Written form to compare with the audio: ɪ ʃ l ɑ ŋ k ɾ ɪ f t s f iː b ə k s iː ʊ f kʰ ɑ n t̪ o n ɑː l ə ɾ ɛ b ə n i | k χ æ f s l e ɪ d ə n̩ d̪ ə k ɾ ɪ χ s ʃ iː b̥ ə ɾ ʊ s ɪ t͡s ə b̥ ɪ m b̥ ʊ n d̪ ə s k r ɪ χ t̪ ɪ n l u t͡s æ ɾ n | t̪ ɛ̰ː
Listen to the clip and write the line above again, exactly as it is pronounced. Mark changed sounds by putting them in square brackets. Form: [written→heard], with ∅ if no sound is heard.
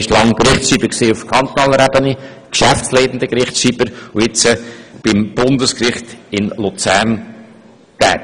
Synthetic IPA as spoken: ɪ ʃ l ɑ ŋ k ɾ ɪ [f→χ] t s [f→ʃ] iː b ə k s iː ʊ f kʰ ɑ n t̪ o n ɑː l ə ɾ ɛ b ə n i | k [χ→ʃ] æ f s l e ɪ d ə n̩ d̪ ə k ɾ ɪ χ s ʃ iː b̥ ə ɾ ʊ [s→∅] ɪ t͡s ə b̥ ɪ m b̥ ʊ n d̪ ə s k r ɪ χ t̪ ɪ n l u t͡s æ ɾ n | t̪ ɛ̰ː